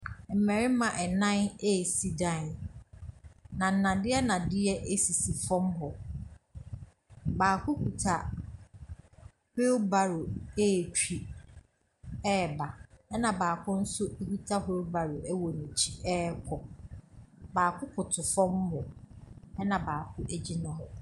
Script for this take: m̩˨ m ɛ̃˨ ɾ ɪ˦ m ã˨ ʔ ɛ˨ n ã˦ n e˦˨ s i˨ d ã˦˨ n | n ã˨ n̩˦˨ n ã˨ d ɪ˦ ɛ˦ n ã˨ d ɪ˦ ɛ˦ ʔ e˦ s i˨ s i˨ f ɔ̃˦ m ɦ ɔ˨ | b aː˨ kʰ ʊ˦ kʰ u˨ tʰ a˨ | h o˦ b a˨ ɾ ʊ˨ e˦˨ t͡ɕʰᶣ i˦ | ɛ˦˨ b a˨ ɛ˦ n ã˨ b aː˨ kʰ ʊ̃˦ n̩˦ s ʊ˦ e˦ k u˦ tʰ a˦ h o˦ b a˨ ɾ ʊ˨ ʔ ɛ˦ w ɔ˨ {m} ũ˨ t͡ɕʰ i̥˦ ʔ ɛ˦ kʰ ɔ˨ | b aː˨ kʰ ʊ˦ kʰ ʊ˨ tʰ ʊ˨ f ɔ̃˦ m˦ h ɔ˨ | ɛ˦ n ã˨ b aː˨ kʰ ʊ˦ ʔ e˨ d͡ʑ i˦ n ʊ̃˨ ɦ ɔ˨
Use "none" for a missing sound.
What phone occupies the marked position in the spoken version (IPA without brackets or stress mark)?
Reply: n